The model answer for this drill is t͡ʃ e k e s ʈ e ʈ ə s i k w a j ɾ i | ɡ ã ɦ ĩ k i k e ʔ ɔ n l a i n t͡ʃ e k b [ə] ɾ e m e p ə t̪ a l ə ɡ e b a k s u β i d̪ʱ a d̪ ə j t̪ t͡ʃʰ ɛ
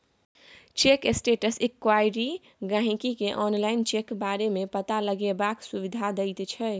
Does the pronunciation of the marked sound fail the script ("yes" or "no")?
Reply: yes